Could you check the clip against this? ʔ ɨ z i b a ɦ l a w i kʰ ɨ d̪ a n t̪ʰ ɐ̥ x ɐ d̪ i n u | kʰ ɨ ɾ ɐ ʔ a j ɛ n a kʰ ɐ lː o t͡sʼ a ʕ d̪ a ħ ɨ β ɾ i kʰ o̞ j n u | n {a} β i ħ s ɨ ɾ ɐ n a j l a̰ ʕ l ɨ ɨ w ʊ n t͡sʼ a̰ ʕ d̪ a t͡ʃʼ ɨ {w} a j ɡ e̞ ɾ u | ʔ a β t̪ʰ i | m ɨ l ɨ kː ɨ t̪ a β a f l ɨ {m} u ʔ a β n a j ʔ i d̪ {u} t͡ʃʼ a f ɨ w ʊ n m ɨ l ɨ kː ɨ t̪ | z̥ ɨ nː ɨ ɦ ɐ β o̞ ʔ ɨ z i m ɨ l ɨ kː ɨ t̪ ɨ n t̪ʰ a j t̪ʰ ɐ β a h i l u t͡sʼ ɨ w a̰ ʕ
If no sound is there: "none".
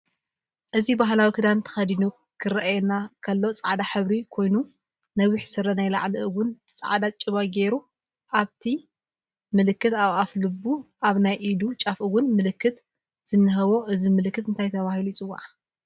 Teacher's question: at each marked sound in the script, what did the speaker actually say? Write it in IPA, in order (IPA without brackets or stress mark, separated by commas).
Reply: ɐ, β, b, u